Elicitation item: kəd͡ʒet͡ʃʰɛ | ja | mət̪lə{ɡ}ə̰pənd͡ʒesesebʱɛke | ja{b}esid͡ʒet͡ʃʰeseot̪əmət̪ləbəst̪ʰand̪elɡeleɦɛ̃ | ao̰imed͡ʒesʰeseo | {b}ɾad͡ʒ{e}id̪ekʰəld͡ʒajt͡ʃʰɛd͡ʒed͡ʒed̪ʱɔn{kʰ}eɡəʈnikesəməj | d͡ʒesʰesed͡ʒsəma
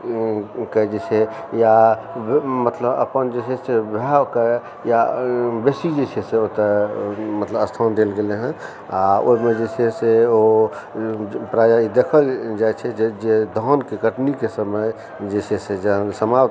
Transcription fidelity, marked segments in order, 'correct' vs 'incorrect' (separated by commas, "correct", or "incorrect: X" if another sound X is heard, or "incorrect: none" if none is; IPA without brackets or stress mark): incorrect: b, correct, incorrect: p, incorrect: a, incorrect: k